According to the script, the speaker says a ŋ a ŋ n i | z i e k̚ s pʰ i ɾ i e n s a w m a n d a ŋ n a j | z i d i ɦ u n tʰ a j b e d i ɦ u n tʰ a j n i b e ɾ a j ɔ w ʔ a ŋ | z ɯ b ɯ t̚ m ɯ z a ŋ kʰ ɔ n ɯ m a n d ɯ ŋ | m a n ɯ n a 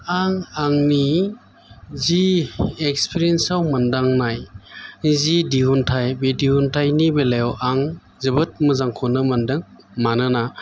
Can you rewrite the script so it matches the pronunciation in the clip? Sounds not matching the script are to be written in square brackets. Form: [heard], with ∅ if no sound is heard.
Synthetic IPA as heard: a ŋ a ŋ n i | z i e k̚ s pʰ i ɾ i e n s a w m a n d a ŋ n a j | z i d i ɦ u n tʰ a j b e d i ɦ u n tʰ a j n i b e [l] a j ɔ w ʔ a ŋ | z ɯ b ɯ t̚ m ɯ z a ŋ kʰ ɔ n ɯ m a n d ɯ ŋ | m a n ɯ n a